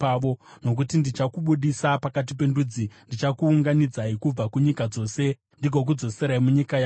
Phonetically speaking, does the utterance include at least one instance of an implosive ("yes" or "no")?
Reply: yes